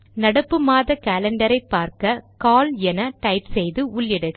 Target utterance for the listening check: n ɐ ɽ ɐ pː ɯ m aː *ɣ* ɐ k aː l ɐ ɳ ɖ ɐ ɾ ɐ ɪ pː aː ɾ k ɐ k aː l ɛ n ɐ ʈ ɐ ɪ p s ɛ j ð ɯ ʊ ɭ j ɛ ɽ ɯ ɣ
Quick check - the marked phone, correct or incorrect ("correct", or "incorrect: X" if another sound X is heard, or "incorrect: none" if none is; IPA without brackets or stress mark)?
incorrect: ð